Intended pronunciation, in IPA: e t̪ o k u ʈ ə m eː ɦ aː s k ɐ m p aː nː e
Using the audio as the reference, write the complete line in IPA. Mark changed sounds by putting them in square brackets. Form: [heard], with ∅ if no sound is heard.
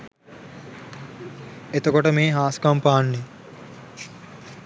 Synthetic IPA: e t̪ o k [o] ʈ ə m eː ɦ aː s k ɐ m p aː nː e